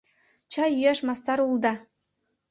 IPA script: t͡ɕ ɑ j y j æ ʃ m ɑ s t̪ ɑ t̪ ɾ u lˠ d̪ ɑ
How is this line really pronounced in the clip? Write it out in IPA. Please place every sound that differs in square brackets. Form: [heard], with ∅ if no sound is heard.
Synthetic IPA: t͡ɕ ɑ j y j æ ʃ m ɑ s t̪ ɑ [∅] ɾ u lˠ d̪ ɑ